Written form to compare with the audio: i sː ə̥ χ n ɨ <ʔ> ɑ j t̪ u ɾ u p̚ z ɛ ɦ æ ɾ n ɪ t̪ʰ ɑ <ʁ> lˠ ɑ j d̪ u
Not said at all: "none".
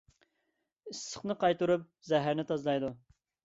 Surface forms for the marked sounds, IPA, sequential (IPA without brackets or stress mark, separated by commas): q, z